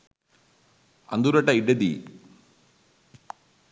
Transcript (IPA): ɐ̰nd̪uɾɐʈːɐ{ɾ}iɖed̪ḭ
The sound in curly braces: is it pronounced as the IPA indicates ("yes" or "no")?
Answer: no